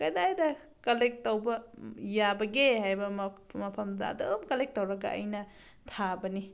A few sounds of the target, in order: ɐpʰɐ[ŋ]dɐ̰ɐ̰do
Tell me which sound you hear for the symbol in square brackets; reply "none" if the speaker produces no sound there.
m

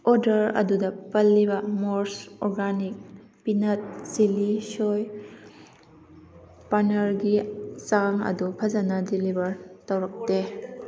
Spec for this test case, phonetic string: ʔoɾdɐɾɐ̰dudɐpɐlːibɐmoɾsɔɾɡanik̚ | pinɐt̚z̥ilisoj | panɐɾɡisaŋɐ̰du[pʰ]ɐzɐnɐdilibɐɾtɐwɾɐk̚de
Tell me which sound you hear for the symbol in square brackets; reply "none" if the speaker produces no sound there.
pʰ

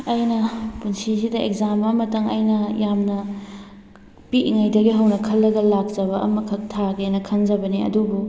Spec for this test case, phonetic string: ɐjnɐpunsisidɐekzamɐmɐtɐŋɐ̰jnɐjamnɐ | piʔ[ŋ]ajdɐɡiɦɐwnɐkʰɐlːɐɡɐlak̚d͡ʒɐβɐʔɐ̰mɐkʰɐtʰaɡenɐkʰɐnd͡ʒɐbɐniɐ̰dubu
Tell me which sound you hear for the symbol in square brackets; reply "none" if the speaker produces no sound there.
ŋ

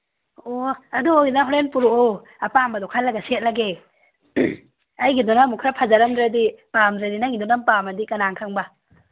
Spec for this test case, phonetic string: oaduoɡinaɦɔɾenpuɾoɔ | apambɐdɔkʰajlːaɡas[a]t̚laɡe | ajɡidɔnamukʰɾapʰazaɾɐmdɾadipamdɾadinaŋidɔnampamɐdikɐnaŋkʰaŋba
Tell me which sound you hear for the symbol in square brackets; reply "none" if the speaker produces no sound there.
e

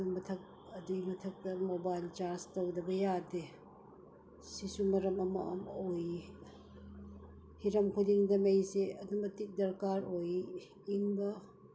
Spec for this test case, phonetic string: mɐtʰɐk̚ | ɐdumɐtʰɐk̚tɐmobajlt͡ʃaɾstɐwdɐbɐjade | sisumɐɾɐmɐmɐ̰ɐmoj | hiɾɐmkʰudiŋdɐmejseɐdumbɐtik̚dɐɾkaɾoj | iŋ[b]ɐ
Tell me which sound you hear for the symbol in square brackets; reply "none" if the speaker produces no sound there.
b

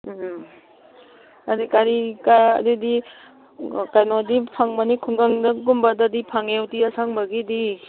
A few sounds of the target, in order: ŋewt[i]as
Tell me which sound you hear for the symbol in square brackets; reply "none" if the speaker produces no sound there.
i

